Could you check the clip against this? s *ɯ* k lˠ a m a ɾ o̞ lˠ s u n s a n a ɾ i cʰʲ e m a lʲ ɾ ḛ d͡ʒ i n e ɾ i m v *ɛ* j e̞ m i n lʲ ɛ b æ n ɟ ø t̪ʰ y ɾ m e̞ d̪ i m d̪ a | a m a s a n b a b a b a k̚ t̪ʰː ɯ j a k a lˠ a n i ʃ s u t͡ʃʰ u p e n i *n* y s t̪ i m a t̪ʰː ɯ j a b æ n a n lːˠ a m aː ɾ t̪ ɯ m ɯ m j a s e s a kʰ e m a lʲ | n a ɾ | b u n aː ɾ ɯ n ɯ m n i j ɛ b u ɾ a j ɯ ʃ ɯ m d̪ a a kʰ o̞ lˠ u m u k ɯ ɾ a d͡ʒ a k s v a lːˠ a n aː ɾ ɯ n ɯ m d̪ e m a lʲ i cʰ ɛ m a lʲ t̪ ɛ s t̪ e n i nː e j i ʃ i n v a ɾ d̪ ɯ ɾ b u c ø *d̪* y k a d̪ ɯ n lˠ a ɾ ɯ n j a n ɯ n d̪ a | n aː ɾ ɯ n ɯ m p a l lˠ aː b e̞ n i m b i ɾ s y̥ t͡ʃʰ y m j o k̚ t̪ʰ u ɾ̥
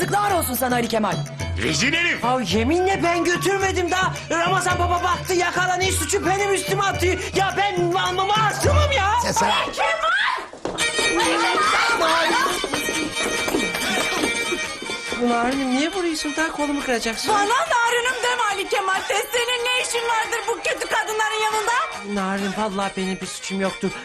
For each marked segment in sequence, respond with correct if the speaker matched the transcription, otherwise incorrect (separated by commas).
correct, incorrect, incorrect, incorrect